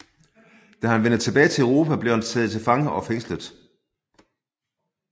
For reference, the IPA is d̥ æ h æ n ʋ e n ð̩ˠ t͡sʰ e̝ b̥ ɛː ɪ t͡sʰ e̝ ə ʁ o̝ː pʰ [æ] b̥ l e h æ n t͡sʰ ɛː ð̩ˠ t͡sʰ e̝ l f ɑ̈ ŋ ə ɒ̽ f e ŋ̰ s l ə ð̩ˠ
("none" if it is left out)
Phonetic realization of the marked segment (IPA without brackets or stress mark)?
æ